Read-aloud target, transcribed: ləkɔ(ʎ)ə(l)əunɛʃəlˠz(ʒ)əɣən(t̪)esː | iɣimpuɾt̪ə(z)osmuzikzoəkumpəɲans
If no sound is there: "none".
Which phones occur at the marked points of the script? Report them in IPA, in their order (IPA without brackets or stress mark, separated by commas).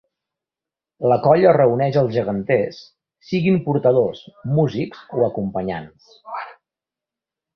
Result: ʎ, r, ʒ, t̪, ð